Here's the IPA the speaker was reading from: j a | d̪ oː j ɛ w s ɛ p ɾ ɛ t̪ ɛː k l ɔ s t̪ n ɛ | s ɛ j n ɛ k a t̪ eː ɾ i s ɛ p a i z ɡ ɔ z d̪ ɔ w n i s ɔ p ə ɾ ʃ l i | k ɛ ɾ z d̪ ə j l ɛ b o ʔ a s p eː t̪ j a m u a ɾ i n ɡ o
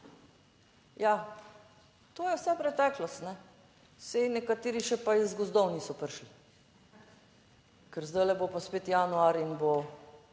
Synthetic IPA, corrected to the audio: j a | t̪ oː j ɛ w s ɛ p ɾ ɛ t̪ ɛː k l ɔ s t̪ n ɛ | s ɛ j n ɛ k a t̪ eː ɾ i ʃ ɛ p a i z ɡ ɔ z d̪ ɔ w n i s ɔ p ə ɾ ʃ l i | k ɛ ɾ z d̪ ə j l ɛ b o p a s p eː t̪ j a n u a ɾ i n b o

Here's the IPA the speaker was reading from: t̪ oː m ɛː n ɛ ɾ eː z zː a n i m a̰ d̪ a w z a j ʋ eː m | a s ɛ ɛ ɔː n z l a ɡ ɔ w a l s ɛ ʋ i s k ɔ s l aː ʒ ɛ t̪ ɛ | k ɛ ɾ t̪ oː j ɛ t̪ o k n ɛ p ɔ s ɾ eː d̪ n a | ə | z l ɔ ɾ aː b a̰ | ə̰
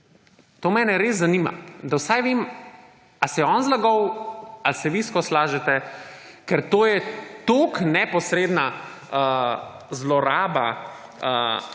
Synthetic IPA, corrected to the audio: t̪ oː m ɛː n ɛ ɾ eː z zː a n i m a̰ d̪ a w s a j ʋ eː m | a s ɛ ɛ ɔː n z l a ɡ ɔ w a l s ɛ ʋ i s k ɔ s l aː ʒ ɛ t̪ ɛ | k ɛ ɾ t̪ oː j ɛ t̪ o k n ɛ p ɔ s ɾ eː d̪ n a | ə | z l ɔ ɾ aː b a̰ | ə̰

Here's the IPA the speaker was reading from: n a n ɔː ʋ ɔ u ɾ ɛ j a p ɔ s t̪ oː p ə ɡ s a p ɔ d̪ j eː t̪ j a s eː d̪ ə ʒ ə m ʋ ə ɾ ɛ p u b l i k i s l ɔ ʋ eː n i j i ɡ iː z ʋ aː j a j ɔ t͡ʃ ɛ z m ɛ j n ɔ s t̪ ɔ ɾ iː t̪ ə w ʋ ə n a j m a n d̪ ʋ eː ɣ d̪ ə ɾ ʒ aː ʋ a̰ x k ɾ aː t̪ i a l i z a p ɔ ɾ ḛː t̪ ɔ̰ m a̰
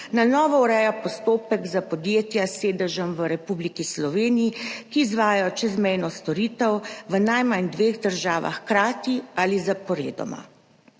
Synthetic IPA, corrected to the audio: n a n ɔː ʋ ɔ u ɾ ɛ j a p ɔ s t̪ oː p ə ɡ z a p ɔ d̪ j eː t̪ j a s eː d̪ ə ʒ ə m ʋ ə ɾ ɛ p u b l i k i s l ɔ ʋ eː n i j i k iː z ʋ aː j a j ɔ t͡ʃ ɛ z m ɛ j n ɔ s t̪ ɔ ɾ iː t̪ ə w ʋ ə n a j m a n d̪ ʋ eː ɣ d̪ ə ɾ ʒ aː ʋ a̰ x k ɾ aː t̪ i a l i z a p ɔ ɾ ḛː d̪ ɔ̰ m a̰

